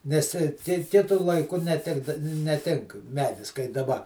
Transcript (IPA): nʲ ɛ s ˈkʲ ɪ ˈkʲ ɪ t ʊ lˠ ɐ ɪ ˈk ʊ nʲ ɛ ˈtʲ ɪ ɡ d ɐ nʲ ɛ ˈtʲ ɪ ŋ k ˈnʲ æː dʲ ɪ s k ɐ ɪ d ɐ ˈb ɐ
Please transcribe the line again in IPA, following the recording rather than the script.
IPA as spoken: nʲ ɛ s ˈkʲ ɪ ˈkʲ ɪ t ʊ lˠ ɐ ɪ ˈk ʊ nʲ ɛ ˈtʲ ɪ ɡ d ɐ nʲ ɛ ˈtʲ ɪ ŋ k ˈmʲ æː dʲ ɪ s k ɐ ɪ d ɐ ˈb ɐ

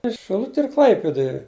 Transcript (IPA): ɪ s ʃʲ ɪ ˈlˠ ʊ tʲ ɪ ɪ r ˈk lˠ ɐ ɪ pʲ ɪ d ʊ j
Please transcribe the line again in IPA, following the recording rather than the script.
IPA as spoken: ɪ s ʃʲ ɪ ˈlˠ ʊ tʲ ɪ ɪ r ˈk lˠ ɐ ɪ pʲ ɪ d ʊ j

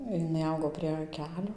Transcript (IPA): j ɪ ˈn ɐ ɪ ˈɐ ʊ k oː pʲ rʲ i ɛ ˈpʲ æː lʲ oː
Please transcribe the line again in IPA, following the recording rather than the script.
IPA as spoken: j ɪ ˈn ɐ ɪ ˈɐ ʊ ɡ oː pʲ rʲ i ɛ ˈkʲ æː lʲ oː

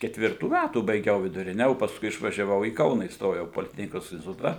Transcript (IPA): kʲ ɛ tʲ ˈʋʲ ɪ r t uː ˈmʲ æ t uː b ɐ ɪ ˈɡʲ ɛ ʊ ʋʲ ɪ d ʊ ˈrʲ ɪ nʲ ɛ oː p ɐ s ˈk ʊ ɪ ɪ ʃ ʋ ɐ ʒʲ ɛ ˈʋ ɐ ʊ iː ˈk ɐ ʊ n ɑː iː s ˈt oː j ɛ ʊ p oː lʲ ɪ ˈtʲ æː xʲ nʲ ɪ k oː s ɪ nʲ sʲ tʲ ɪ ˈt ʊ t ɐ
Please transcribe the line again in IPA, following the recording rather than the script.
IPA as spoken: kʲ ɛ tʲ ˈʋʲ ɪ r t uː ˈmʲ æ t uː b ɐ ɪ ˈɡʲ ɛ ʊ ʋʲ ɪ d ʊ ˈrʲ ɪ nʲ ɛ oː p ɐ s ˈk ʊ ɪ ɪ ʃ ʋ ɐ ʒʲ ɛ ˈʋ ɐ ʊ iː ˈk ɐ ʊ n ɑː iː s ˈt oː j ɛ ʊ p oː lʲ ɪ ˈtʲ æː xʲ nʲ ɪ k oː s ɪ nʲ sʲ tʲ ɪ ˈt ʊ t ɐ

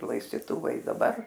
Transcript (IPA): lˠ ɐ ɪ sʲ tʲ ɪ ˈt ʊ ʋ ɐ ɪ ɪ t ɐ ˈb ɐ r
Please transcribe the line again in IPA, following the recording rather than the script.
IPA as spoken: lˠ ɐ ɪ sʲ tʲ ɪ ˈt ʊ ʋ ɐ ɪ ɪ d ɐ ˈb ɐ r

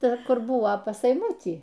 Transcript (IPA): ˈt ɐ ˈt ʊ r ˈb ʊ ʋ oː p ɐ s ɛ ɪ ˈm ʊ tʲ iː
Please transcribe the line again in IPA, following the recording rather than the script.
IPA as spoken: ˈt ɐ ˈk ʊ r ˈb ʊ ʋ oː p ɐ s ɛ ɪ ˈm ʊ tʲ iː

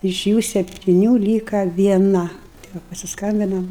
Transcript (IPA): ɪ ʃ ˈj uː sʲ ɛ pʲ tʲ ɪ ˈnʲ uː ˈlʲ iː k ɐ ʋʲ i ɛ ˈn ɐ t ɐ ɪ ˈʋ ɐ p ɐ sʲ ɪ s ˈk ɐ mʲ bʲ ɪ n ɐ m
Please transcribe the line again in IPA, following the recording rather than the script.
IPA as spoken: ɪ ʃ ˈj uː sʲ ɛ pʲ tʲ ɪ ˈnʲ uː ˈlʲ iː k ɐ ʋʲ i ɛ ˈn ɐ t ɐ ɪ ˈʋ ɐ p ɐ sʲ ɪ s ˈk ɐ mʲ bʲ ɪ n ɐ m

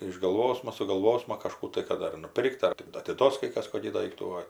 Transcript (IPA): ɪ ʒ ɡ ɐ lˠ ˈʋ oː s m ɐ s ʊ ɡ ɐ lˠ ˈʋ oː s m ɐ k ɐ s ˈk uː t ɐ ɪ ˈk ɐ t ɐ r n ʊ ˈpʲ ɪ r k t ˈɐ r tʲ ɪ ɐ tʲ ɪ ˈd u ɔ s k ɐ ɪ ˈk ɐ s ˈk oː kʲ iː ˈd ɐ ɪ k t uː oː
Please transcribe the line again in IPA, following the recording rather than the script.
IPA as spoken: ɪ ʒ ɡ ɐ lˠ ˈʋ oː s m ɐ s ʊ ɡ ɐ lˠ ˈʋ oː s m ɐ k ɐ ʃ ˈk uː t ɐ ɪ ˈk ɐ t ɐ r n ʊ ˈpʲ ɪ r k t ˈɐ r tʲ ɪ ɐ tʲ ɪ ˈd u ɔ s k ɐ ɪ ˈk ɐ s ˈk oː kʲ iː ˈd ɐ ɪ k t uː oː

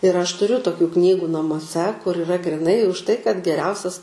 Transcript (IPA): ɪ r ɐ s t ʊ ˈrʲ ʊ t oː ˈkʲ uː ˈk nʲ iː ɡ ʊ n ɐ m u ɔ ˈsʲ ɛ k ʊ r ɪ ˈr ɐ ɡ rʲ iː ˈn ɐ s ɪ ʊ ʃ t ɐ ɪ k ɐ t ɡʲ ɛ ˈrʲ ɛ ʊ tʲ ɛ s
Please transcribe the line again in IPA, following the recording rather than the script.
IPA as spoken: ɪ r ɐ ʃ t ʊ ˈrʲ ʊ t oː ˈkʲ uː ˈk nʲ iː ɡ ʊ n ɐ m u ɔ ˈsʲ ɛ k ʊ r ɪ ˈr ɐ ɡ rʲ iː ˈn ɐ ɪ ʊ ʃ t ɐ ɪ k ɐ t ɡʲ ɛ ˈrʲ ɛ ʊ sʲ ɛ s

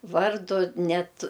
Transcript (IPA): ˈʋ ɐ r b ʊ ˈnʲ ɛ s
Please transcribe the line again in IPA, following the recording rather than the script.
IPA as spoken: ˈʋ ɐ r d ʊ ˈnʲ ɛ t

